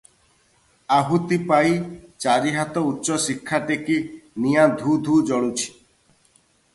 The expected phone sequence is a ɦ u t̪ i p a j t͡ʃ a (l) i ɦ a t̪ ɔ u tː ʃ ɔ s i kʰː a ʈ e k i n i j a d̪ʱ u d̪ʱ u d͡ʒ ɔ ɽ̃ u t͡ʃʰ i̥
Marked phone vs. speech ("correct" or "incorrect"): incorrect